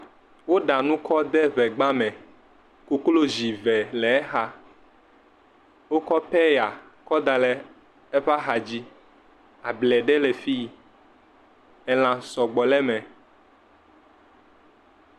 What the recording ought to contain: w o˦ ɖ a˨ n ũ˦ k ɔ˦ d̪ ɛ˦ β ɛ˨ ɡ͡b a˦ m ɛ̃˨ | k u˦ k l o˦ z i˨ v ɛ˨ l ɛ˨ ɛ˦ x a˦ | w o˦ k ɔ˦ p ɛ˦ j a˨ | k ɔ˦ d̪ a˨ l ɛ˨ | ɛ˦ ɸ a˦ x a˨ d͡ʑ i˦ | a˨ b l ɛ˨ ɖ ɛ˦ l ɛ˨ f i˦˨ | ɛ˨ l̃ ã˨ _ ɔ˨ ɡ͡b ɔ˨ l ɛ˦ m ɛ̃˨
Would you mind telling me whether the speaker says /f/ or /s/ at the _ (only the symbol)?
s